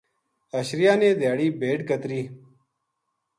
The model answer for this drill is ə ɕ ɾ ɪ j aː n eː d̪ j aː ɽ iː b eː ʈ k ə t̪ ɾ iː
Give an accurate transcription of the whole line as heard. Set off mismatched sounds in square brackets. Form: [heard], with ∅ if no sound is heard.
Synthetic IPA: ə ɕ ɾ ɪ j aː n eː d̪ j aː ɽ iː b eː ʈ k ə t̪ ɾ iː